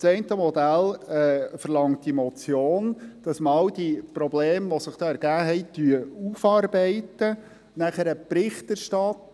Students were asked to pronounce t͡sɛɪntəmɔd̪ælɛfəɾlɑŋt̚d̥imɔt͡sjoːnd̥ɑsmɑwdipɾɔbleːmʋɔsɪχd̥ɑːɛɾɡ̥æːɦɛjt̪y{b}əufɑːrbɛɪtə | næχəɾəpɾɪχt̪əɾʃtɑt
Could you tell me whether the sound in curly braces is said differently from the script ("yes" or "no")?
yes